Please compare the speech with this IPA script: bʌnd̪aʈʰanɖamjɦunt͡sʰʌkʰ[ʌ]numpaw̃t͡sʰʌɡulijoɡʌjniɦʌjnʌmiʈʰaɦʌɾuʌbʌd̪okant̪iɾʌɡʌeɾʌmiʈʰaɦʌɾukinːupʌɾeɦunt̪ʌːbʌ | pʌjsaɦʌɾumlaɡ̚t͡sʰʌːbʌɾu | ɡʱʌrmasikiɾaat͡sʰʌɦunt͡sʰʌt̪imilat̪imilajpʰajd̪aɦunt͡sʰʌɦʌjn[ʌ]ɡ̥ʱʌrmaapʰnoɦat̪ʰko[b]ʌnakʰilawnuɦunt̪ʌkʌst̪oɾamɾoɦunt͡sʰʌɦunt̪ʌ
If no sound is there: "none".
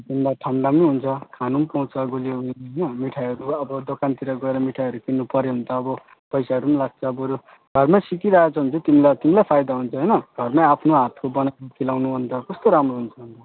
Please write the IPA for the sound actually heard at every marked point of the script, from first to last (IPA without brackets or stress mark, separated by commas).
a, ʌ, b